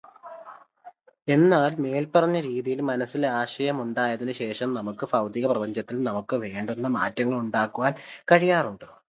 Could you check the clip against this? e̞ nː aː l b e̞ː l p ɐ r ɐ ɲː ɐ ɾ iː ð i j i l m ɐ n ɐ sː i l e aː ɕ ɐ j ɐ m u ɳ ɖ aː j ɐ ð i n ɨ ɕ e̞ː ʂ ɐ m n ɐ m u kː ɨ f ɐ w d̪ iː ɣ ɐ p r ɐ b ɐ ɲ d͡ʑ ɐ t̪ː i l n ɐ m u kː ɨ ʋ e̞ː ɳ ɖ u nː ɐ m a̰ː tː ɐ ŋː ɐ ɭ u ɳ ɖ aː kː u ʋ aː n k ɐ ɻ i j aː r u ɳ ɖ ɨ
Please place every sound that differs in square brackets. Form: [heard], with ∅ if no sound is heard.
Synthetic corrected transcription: e̞ nː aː l [m] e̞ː l p ɐ r ɐ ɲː ɐ ɾ iː ð i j i l m ɐ n ɐ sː i l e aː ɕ ɐ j ɐ m u ɳ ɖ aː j ɐ ð i n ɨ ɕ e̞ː ʂ ɐ m n ɐ m u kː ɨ f ɐ w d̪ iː ɣ ɐ p r ɐ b ɐ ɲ d͡ʑ ɐ t̪ː i l n ɐ m u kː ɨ ʋ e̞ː ɳ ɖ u nː ɐ m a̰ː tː ɐ ŋː ɐ ɭ u ɳ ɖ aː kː u ʋ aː n k ɐ ɻ i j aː r u ɳ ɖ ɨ

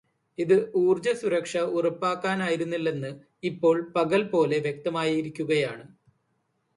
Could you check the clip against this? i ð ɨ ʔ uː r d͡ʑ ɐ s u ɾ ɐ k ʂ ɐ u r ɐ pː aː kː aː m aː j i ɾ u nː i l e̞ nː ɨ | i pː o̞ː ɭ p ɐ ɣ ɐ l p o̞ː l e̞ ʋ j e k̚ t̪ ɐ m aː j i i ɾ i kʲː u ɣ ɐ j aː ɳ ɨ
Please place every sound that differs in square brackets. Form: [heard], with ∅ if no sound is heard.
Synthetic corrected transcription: i ð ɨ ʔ uː r d͡ʑ ɐ s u ɾ ɐ k ʂ ɐ u r ɐ pː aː kː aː [n] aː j i ɾ u nː i [lː] e̞ nː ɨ | i pː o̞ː ɭ p ɐ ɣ ɐ l p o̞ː l e̞ ʋ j e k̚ t̪ ɐ m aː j i i ɾ i kʲː u ɣ ɐ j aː ɳ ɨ

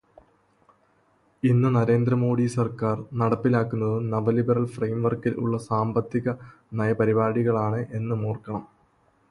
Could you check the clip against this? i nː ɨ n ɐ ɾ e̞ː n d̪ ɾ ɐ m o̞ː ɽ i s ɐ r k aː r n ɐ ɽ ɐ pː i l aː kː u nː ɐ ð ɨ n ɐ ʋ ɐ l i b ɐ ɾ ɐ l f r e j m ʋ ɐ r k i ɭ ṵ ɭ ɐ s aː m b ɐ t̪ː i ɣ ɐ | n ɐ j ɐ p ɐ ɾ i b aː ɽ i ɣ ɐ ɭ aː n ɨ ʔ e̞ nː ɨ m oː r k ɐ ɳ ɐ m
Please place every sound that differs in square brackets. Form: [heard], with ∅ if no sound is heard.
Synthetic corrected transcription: i nː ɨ n ɐ ɾ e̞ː n d̪ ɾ ɐ m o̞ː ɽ i s ɐ r k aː r n ɐ ɽ ɐ pː i l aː kː u nː ɐ ð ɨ n ɐ ʋ ɐ l i b ɐ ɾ ɐ l f r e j m ʋ ɐ r k i [l] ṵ [ɭː] ɐ s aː m b ɐ t̪ː i ɣ ɐ | n ɐ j ɐ p ɐ ɾ i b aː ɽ i ɣ ɐ ɭ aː [ɳ] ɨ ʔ e̞ nː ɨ m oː r k ɐ ɳ ɐ m

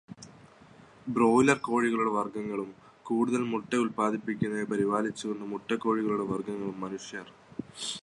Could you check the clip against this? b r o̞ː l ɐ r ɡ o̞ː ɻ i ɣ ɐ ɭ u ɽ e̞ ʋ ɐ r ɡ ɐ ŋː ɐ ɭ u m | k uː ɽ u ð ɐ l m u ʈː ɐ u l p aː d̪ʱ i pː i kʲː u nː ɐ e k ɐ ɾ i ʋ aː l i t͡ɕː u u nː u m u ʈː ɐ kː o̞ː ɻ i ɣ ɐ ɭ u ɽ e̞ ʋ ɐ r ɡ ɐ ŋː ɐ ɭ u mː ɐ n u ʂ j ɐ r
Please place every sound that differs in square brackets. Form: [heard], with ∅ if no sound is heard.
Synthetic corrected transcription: b r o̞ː l ɐ r [k] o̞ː ɻ i ɣ ɐ ɭ u ɽ e̞ ʋ ɐ r ɡ ɐ ŋː ɐ ɭ u m | k uː ɽ u ð ɐ l m u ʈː ɐ u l p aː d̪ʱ i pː i kʲː u nː ɐ e [p] ɐ ɾ i ʋ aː l i t͡ɕː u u nː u m u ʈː ɐ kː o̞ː ɻ i ɣ ɐ ɭ u ɽ e̞ ʋ ɐ r ɡ ɐ ŋː ɐ ɭ u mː ɐ n u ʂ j ɐ r

